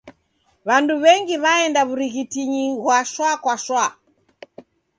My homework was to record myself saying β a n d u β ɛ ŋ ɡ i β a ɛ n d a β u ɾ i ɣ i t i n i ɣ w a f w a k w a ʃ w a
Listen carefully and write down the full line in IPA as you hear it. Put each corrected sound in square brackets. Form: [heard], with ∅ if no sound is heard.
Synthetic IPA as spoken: β a n d u β ɛ ŋ ɡ i β a ɛ n d a β u ɾ i ɣ i t i [ɲ] i ɣ w a [ʃ] w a k w a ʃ w a